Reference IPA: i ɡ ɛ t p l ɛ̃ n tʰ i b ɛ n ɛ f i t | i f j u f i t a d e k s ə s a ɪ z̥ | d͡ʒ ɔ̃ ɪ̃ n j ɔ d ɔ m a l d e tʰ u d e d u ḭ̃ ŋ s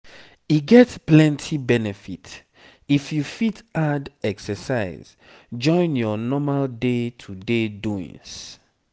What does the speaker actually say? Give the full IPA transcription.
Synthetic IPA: i ɡ ɛ t p l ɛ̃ n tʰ i b ɛ n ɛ f i t | i f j u f i t a d ɛ k s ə s a ɪ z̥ | d͡ʒ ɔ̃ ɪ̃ n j ɔ n ɔ m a l d e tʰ u d e d u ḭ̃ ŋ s